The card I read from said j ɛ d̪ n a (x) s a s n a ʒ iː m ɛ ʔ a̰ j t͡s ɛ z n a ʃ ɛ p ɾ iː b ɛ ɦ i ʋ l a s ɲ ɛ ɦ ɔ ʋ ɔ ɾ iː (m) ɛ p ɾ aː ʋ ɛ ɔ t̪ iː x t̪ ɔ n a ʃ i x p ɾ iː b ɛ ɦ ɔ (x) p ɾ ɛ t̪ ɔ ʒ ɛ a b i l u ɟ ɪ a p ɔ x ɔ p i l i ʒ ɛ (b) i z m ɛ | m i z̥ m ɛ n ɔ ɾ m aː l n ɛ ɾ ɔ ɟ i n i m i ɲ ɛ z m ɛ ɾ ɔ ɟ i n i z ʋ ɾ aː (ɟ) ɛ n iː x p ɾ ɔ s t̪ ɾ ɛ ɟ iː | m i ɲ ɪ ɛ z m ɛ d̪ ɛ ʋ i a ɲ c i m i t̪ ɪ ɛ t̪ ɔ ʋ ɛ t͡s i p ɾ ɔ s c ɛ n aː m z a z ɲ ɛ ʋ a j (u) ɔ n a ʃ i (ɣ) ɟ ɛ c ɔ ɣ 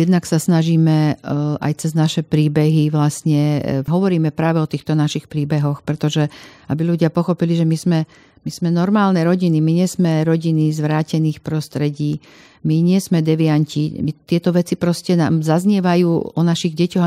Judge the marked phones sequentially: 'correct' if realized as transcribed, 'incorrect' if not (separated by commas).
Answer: incorrect, correct, correct, incorrect, incorrect, incorrect, correct